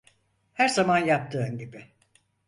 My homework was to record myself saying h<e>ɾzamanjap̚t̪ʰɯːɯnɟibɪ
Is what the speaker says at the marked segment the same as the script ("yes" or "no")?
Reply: no